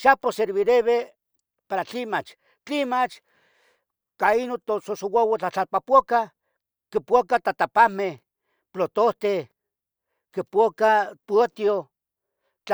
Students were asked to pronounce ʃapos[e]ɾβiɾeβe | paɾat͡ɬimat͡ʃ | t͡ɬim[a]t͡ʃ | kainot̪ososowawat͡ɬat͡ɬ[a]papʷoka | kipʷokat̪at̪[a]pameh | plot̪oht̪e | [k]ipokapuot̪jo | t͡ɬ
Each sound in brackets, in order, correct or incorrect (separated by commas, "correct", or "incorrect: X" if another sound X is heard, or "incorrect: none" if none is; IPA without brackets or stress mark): correct, correct, correct, correct, correct